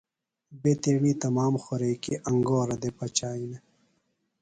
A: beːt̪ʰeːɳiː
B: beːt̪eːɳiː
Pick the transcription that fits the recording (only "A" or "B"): B